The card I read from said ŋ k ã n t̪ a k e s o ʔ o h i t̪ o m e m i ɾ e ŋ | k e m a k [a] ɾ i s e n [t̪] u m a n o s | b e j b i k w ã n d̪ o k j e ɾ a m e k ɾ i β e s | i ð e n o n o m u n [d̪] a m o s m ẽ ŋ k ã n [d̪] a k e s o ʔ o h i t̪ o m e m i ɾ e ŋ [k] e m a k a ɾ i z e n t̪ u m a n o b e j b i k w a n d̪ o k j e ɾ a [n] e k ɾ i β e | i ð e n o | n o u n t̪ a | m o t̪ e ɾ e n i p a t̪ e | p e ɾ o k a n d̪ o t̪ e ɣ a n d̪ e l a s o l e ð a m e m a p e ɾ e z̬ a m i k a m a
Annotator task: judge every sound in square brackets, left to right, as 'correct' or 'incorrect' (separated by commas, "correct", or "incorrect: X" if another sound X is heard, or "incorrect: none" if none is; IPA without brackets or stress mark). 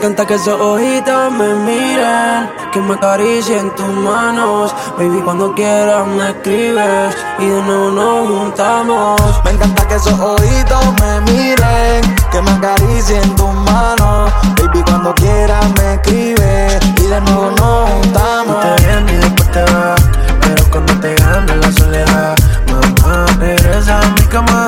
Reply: correct, correct, incorrect: t̪, incorrect: t̪, correct, incorrect: m